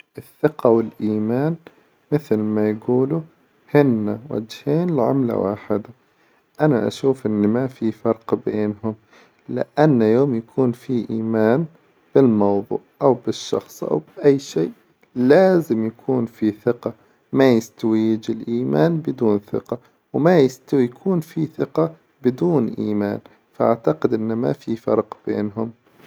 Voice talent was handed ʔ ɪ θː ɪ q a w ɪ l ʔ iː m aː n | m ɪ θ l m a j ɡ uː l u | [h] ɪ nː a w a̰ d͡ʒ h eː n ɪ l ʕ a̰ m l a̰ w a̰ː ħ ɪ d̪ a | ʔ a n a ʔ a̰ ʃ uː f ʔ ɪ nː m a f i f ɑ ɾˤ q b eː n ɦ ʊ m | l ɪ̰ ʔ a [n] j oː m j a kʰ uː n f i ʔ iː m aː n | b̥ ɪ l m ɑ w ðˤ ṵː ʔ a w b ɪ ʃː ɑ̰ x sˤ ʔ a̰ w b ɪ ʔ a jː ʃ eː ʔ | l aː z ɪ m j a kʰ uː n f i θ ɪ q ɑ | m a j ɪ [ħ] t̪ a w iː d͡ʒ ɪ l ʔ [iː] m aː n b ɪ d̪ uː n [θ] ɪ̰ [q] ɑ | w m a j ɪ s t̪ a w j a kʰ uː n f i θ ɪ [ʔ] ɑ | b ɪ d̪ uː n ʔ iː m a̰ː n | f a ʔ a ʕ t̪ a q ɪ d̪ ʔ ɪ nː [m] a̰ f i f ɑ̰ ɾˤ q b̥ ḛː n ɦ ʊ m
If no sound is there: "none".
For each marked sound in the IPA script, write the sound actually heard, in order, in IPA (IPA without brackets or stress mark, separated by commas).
h, nː, s, iː, θ, q, q, m